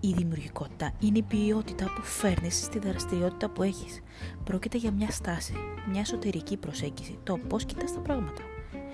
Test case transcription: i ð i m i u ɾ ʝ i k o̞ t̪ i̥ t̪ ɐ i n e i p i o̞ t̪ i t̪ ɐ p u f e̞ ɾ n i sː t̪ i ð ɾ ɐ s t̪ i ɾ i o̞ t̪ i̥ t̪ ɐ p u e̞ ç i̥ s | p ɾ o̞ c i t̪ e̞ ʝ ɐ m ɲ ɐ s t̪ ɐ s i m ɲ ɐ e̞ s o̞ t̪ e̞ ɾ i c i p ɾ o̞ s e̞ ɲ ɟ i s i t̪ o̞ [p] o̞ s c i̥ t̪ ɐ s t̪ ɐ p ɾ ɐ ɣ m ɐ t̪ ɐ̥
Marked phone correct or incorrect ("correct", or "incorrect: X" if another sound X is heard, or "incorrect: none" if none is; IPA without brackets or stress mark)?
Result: correct